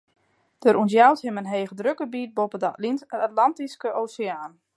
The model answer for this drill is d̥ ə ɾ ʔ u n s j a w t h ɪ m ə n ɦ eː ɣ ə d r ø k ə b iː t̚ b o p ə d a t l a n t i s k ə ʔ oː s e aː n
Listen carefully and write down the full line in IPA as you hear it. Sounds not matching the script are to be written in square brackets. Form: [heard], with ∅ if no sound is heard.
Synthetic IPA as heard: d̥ ə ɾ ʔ u n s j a w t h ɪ m ə n ɦ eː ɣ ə d r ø k ə b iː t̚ b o p ə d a t l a n t i s k ə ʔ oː s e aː n